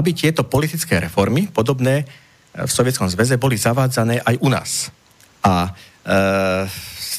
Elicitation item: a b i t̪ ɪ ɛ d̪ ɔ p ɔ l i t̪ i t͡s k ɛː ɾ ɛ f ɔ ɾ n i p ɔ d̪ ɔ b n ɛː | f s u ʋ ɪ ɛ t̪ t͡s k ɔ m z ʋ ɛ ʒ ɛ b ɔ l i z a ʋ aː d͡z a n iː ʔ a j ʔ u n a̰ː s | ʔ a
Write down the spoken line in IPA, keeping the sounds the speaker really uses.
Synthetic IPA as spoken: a b i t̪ ɪ ɛ t̪ ɔ p ɔ l i t̪ i t͡s k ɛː ɾ ɛ f ɔ ɾ m i p ɔ d̪ ɔ b n ɛː | f s ɔ ʋ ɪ ɛ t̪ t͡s k ɔ m z ʋ ɛ z ɛ b ɔ l i z a ʋ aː d͡z a n ɛː ʔ a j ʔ u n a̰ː s | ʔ a